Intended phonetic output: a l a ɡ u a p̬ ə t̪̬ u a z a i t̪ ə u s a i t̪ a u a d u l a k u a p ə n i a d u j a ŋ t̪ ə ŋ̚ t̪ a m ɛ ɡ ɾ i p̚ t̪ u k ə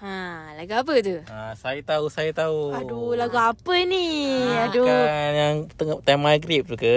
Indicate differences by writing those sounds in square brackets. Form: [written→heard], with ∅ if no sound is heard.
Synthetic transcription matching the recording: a l a ɡ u a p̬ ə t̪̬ u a [z→s] a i t̪ [ə→a] u s a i t̪ a u a d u l a [k→ɡ] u a p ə n i a d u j a ŋ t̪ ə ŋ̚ t̪ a m [ɛ→a] ɡ ɾ i p̚ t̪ u k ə